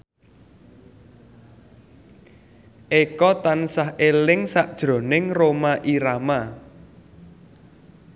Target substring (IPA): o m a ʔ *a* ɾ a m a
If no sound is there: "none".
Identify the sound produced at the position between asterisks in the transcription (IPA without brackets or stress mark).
i